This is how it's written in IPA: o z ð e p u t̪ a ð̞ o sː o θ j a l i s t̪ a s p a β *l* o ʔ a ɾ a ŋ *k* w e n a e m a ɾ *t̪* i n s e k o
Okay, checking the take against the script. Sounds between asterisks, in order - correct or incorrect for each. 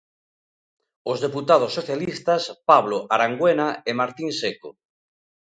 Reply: correct, incorrect: ɡ, correct

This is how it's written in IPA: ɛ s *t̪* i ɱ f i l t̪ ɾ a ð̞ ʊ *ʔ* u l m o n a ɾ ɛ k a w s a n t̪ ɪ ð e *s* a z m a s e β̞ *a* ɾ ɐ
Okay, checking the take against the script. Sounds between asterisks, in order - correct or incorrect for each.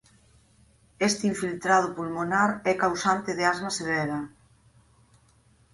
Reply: correct, incorrect: p, incorrect: none, incorrect: ɛ

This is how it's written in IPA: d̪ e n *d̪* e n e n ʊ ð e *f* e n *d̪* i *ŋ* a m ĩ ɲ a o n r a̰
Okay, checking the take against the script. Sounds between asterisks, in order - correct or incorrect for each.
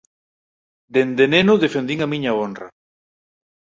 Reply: correct, correct, correct, correct

